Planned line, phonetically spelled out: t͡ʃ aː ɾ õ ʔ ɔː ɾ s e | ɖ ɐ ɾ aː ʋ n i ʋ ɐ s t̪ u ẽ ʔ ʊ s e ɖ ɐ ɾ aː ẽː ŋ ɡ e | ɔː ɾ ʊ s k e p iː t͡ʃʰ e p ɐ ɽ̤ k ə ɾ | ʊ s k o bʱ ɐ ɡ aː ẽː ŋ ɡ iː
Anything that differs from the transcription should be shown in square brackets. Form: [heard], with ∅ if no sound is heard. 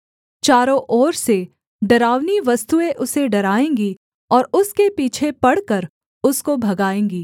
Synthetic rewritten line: t͡ʃ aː ɾ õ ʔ ɔː ɾ s e | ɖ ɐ ɾ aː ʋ n i ʋ ɐ s t̪ u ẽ ʔ ʊ s e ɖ ɐ ɾ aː ẽː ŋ ɡ [i] | ɔː ɾ ʊ s k e p iː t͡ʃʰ e p ɐ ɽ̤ k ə ɾ | ʊ s k o bʱ ɐ ɡ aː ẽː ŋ ɡ iː

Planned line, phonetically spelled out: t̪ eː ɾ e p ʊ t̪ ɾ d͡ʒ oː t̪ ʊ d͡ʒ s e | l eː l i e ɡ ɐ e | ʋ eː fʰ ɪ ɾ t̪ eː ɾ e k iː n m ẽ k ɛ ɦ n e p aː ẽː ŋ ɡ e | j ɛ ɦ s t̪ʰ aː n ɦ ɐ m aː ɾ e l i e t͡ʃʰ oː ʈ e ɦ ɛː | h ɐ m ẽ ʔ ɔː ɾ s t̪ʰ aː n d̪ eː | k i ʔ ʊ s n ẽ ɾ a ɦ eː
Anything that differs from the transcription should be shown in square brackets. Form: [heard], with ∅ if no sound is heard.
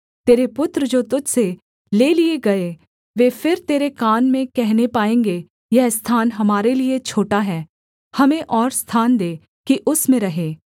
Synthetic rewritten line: t̪ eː ɾ e p ʊ t̪ ɾ d͡ʒ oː t̪ ʊ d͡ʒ s e | l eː l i e ɡ ɐ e | ʋ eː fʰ ɪ ɾ t̪ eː ɾ e k [aː] n m ẽ k ɛ ɦ n e p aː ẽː ŋ ɡ e | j ɛ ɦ s t̪ʰ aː n ɦ ɐ m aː ɾ e l i e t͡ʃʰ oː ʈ [a] ɦ ɛː | h ɐ m ẽ ʔ ɔː ɾ s t̪ʰ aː n d̪ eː | k i ʔ ʊ s [m] ẽ ɾ [ɐ] ɦ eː

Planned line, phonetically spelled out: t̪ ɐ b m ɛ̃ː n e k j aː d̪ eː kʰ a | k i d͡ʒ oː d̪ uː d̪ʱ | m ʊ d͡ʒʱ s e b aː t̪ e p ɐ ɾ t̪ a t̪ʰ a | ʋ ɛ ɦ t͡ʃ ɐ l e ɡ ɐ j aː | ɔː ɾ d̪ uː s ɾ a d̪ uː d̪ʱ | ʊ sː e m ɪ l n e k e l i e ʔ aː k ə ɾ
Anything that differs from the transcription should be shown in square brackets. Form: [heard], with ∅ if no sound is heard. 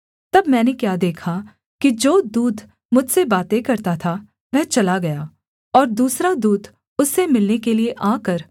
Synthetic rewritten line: t̪ ɐ b m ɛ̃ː n e k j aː d̪ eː kʰ a | k i d͡ʒ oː d̪ uː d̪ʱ | m ʊ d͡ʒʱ s e b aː t̪ e [k] ɐ ɾ t̪ a t̪ʰ a | ʋ ɛ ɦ t͡ʃ ɐ l [a] ɡ ɐ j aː | ɔː ɾ d̪ uː s ɾ a d̪ uː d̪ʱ | ʊ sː e m ɪ l n e k e l i e ʔ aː k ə ɾ

